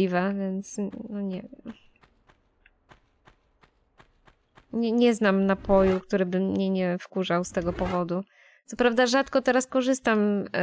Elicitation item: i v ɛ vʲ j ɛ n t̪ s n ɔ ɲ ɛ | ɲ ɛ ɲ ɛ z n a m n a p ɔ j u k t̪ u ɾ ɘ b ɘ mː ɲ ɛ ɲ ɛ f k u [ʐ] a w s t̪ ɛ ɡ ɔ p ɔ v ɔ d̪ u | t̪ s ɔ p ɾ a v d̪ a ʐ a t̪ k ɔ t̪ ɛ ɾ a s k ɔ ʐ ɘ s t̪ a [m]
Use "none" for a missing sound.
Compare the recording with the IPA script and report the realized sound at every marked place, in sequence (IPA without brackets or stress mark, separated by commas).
ʐ, m